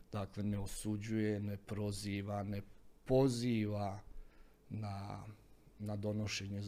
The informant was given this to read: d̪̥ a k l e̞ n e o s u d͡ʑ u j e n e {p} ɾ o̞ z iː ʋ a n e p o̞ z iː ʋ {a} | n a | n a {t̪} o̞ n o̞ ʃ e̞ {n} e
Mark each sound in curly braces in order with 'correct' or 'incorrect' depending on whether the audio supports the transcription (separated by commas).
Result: correct, correct, incorrect, incorrect